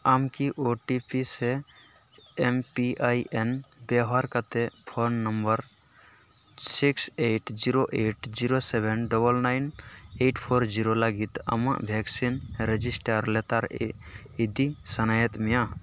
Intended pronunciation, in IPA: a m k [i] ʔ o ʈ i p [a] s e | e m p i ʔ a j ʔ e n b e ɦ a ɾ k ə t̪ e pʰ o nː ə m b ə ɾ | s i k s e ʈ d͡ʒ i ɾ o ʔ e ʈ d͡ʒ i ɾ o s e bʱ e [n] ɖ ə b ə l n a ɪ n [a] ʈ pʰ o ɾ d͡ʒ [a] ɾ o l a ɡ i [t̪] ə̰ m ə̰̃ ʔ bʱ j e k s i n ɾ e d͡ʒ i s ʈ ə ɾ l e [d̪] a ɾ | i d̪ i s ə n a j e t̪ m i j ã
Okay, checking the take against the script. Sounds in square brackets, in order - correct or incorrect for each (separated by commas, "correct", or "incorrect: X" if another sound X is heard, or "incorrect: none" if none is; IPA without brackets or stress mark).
correct, incorrect: i, correct, incorrect: e, incorrect: i, correct, incorrect: t̪